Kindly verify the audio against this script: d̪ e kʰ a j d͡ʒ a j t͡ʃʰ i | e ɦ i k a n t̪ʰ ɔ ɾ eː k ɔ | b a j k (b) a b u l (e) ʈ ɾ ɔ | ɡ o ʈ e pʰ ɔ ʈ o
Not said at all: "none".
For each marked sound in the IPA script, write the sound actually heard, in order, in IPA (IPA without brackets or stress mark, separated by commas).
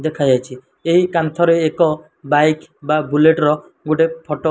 b, e